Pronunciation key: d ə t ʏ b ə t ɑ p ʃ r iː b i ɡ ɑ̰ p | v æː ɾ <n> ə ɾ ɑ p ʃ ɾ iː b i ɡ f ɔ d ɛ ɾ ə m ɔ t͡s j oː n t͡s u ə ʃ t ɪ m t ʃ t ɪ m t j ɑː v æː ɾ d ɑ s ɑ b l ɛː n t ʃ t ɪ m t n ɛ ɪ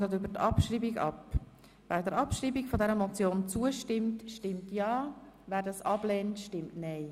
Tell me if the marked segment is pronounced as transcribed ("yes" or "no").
no